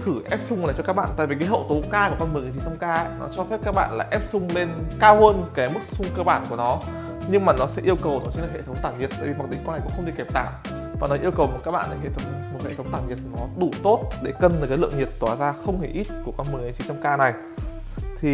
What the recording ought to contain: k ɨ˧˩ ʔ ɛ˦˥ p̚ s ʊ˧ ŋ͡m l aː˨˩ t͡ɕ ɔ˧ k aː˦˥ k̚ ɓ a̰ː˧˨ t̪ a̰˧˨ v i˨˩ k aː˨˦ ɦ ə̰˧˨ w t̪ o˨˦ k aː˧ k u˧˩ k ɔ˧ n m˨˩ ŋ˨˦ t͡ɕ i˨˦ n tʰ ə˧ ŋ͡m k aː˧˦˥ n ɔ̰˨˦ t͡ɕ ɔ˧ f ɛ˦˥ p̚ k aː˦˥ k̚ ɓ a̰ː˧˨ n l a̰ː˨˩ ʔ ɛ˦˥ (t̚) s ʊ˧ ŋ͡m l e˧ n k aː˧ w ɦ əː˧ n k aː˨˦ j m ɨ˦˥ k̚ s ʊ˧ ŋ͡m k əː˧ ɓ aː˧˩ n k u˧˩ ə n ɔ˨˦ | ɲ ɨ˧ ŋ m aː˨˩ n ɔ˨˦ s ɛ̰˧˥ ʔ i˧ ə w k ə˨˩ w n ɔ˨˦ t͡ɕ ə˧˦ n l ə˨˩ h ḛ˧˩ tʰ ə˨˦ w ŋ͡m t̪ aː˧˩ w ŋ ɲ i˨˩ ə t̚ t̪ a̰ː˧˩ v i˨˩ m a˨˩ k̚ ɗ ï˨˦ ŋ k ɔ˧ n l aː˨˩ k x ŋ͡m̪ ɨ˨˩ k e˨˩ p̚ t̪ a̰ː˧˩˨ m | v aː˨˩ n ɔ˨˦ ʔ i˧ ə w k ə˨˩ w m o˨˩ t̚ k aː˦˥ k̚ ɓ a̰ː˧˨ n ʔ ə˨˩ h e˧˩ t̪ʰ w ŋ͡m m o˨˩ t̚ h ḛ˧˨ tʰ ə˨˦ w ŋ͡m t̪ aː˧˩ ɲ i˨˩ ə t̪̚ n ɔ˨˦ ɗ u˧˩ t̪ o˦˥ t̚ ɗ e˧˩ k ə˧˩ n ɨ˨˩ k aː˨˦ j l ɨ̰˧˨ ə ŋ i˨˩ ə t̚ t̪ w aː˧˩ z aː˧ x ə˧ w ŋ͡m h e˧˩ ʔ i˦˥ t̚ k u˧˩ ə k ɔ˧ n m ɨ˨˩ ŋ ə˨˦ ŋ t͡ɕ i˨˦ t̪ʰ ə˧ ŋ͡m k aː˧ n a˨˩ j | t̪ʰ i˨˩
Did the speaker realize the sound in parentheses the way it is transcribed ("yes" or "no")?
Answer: no